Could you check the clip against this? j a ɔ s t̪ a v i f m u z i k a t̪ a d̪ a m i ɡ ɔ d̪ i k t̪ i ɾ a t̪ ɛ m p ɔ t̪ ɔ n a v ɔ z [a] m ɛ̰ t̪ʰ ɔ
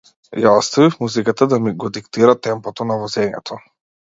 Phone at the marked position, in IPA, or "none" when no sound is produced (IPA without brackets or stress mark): ɛ